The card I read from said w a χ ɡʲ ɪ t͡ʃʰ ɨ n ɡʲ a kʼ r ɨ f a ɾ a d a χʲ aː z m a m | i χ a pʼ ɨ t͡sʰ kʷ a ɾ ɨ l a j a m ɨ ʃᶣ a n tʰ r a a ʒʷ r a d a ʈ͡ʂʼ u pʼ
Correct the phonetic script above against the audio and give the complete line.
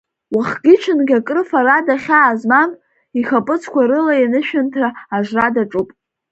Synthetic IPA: w a χ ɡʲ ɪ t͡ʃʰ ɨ n ɡʲ a kʼ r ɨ f a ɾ a d a χʲ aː z m a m | i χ a pʼ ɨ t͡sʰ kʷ a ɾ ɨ l a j a n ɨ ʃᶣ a n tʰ r a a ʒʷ r a d a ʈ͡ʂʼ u pʼ